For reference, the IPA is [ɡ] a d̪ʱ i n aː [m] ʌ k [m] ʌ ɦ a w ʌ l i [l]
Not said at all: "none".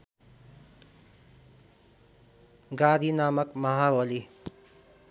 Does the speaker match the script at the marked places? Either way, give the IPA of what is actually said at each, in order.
ɡ, m, m, none

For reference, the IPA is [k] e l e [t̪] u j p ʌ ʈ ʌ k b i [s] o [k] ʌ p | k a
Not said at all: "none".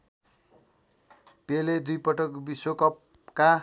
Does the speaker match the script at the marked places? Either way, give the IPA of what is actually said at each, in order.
p, d̪, s, k

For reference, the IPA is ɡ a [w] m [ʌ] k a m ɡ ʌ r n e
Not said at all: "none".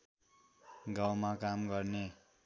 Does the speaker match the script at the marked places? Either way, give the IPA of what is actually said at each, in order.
w, a

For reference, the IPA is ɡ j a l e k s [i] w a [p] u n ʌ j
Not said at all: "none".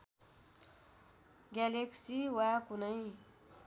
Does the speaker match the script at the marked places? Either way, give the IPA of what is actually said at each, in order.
i, k

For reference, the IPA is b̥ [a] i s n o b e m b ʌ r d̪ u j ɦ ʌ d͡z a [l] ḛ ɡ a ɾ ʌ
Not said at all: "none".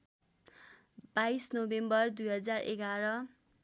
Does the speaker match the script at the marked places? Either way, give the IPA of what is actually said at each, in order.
a, r

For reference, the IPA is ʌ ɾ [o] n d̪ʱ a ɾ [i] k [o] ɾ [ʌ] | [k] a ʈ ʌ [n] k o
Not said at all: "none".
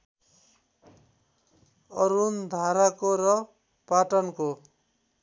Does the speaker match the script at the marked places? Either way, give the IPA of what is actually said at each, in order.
u, a, o, ʌ, p, n

